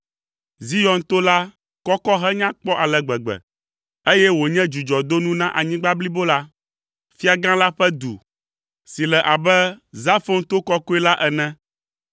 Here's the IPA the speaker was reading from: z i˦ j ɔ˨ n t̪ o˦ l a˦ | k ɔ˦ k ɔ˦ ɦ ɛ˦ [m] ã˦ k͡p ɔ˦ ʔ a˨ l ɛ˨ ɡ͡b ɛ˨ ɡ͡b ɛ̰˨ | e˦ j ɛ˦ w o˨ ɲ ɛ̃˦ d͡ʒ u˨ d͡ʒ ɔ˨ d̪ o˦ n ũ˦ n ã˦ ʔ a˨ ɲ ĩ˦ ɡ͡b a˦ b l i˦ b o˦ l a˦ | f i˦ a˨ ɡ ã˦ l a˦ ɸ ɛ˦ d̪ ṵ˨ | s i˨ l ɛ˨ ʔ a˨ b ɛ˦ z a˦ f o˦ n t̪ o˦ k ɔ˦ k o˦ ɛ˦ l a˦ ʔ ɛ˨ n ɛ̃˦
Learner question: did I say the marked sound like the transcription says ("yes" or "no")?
no